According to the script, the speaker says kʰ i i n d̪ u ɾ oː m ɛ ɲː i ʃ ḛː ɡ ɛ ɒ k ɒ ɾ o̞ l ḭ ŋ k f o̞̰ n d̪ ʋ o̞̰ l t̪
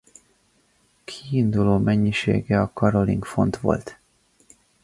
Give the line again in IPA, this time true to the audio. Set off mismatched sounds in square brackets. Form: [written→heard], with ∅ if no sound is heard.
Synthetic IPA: kʰ i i n d̪ u [ɾ→l] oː m ɛ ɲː i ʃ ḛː ɡ ɛ ɒ k ɒ ɾ o̞ l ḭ ŋ k f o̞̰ n [d̪→t̪] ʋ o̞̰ l t̪

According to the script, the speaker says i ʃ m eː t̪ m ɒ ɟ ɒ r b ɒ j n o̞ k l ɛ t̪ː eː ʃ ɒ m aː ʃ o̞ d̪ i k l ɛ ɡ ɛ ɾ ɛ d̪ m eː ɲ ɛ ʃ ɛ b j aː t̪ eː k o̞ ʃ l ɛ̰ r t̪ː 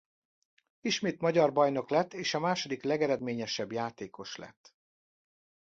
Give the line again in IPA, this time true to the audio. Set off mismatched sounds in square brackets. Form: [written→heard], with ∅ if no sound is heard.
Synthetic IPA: i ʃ m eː t̪ m ɒ ɟ ɒ r b ɒ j n o̞ k l ɛ t̪ː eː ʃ ɒ m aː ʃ o̞ d̪ i k l ɛ ɡ ɛ ɾ ɛ d̪ m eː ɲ ɛ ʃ ɛ b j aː t̪ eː k o̞ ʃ l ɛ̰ [r→∅] t̪ː

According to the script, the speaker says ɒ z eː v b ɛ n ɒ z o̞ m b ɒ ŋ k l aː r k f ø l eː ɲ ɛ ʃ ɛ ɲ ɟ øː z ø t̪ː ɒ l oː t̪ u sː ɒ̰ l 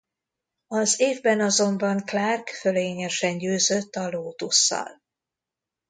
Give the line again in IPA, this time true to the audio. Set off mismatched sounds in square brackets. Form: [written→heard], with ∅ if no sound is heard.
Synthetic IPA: ɒ z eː v b ɛ n ɒ z o̞ m b ɒ ŋ k l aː r k f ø l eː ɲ ɛ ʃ ɛ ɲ ɟ øː z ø t̪ː ɒ l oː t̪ u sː ɒ̰ l

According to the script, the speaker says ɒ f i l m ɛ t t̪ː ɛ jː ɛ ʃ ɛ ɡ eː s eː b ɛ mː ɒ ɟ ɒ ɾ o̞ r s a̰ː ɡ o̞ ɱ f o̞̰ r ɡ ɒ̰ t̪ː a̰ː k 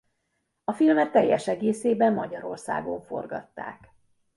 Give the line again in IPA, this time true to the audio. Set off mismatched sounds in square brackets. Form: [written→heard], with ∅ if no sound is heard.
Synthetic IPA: ɒ f i l m ɛ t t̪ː ɛ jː ɛ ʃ ɛ ɡ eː s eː b ɛ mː ɒ ɟ ɒ ɾ o̞ r s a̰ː ɡ o̞ ɱ f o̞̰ r ɡ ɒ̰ t̪ː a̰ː k

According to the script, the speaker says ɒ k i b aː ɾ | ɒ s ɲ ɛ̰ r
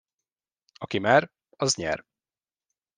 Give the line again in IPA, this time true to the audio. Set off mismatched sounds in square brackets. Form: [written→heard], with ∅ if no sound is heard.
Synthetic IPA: ɒ k i [b→m] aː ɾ | ɒ [s→z] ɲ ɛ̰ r

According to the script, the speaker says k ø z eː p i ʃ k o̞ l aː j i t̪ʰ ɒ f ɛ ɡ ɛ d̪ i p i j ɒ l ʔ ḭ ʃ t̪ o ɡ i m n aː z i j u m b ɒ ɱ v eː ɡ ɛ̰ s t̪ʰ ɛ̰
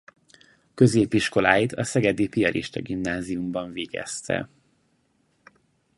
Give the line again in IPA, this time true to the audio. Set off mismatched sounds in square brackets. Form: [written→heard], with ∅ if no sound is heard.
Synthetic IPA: k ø z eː p i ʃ k o̞ l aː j i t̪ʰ ɒ [f→s] ɛ ɡ ɛ d̪ i p i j ɒ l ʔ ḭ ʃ t̪ [o→ɒ] ɡ i m n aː z i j u m b ɒ ɱ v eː ɡ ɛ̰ s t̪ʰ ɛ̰

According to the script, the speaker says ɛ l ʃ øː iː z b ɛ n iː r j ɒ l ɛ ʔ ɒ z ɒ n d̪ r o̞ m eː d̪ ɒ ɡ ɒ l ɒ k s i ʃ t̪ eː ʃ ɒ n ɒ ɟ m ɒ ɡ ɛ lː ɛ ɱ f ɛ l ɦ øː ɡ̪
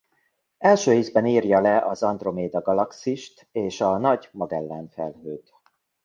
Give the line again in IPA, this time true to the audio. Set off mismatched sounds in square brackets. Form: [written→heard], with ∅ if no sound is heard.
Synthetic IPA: ɛ l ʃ øː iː z b ɛ n iː r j ɒ l ɛ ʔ ɒ z ɒ n d̪ r o̞ m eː d̪ ɒ ɡ ɒ l ɒ k s i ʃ t̪ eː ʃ ɒ n ɒ ɟ m ɒ ɡ ɛ lː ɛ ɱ f ɛ l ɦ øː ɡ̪

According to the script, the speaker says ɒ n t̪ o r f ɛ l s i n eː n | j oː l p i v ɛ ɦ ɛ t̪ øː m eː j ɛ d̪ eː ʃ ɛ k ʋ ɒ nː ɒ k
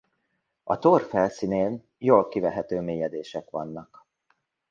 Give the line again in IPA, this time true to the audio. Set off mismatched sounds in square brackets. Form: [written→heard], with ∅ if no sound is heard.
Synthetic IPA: ɒ [n→∅] t̪ o r f ɛ l s i n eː n | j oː l [p→k] i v ɛ ɦ ɛ t̪ øː m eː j ɛ d̪ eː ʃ ɛ k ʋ ɒ nː ɒ k

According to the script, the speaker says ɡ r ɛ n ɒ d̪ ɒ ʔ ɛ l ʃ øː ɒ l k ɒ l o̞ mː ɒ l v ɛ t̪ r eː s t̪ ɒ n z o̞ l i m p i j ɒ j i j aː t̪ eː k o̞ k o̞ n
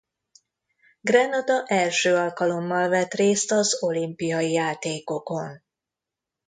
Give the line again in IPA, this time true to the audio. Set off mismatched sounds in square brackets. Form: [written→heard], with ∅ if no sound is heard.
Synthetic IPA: ɡ r ɛ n ɒ d̪ ɒ ʔ ɛ l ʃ øː ɒ l k ɒ l o̞ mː ɒ l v ɛ t̪ r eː s t̪ ɒ [n→∅] z o̞ l i m p i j ɒ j i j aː t̪ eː k o̞ k o̞ n

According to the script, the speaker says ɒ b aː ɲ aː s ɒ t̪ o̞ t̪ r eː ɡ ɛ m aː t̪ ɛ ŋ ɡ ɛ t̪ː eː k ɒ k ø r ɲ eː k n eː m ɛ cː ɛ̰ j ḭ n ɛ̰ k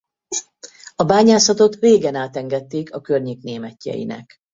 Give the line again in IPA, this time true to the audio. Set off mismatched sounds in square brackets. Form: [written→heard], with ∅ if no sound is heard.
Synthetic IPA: ɒ b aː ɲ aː s ɒ t̪ o̞ t̪ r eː ɡ ɛ [m→n] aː t̪ ɛ ŋ ɡ ɛ t̪ː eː k ɒ k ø r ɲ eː k n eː m ɛ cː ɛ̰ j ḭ n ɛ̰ k

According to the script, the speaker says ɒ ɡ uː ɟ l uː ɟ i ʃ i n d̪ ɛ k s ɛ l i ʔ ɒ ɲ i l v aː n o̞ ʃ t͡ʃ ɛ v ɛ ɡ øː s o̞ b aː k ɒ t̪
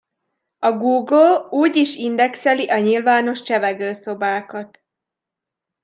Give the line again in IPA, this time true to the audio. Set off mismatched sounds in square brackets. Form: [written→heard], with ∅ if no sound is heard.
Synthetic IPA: ɒ ɡ uː [ɟ→ɡ] l uː ɟ i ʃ i n d̪ ɛ k s ɛ l i ʔ ɒ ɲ i l v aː n o̞ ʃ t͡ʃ ɛ v ɛ ɡ øː s o̞ b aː k ɒ t̪

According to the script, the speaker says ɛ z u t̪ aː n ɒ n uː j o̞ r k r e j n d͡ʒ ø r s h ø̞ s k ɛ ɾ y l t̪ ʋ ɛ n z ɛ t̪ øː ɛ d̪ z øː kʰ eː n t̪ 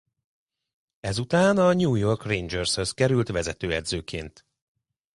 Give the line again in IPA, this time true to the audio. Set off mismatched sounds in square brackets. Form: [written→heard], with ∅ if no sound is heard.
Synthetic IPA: ɛ z u t̪ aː n ɒ [n→ɲ] uː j o̞ r k r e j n d͡ʒ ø r s h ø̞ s k ɛ ɾ y l t̪ ʋ ɛ [n→∅] z ɛ t̪ øː ɛ d̪ z øː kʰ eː n t̪

